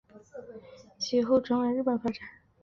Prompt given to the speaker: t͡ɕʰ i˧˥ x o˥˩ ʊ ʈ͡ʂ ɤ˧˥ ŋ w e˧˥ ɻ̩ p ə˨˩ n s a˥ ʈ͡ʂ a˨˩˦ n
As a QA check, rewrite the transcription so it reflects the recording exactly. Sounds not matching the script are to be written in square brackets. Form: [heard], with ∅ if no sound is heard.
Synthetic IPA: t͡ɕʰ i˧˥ x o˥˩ ʊ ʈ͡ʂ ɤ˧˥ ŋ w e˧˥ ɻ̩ p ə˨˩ n [f] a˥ ʈ͡ʂ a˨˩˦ n